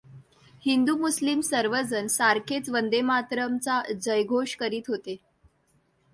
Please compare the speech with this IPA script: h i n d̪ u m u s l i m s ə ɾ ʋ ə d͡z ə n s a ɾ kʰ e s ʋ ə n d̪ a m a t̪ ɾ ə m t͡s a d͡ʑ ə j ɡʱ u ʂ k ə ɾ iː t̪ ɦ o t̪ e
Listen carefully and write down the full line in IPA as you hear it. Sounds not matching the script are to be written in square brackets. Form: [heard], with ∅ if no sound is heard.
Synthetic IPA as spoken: h i n d̪ u m u s l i m s ə ɾ ʋ ə d͡z ə n s a ɾ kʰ e [t͡s] ʋ ə n d̪ [e] m a t̪ ɾ ə m t͡s a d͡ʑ ə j ɡʱ [o] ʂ k ə ɾ iː t̪ ɦ o t̪ e